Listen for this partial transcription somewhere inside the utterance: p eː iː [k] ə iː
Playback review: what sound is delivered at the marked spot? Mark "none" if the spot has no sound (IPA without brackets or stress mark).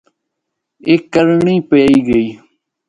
ɡ